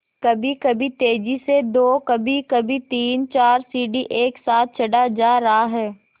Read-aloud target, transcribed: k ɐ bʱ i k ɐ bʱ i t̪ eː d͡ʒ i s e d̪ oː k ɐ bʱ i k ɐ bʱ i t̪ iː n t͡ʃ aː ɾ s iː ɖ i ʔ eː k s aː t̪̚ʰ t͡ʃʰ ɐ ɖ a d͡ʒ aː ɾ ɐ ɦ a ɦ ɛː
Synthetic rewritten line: k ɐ bʱ i k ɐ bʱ i t̪ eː d͡ʒ i s e d̪ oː k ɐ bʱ i k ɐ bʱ i t̪ iː n t͡ʃ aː ɾ s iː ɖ i ʔ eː k s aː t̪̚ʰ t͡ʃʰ ɐ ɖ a d͡ʒ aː ɾ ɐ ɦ a ɦ ɛː